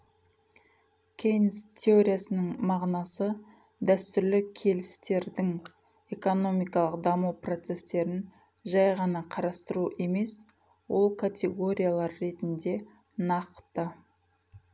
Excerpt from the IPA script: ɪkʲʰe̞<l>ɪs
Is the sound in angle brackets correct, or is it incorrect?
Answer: correct